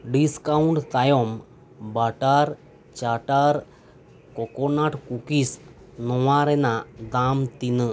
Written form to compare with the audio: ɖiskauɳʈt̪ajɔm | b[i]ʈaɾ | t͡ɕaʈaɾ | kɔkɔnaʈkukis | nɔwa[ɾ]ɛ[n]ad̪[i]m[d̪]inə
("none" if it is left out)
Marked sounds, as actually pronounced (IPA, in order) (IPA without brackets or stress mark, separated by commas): a, ɾ, n, a, t̪